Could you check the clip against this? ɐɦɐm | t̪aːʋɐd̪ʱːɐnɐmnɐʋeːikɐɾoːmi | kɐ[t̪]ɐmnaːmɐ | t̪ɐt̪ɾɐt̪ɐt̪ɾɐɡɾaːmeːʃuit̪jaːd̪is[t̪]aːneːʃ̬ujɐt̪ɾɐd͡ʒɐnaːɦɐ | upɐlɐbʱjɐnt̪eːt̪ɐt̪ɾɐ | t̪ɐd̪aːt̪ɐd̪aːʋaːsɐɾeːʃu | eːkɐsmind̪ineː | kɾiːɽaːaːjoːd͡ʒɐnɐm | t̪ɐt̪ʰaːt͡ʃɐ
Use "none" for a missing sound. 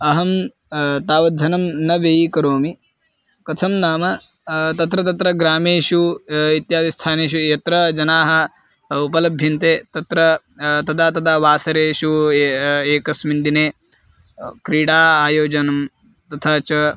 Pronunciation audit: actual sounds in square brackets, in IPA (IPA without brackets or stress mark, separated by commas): t̪ʰ, t̪ʰ